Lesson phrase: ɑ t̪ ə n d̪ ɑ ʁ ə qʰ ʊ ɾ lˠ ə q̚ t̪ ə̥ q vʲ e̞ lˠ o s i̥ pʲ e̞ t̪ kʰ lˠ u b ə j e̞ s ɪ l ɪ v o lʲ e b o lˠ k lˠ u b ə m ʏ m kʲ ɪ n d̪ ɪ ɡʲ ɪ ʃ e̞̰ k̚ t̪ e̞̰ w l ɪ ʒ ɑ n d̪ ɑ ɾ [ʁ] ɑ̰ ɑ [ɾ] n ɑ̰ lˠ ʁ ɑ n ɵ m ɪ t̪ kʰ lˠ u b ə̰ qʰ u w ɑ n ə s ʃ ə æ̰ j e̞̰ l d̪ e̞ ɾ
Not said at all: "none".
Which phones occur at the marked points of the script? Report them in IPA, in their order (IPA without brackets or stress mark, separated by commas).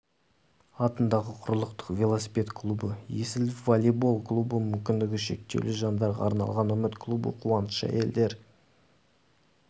ʁ, ɾ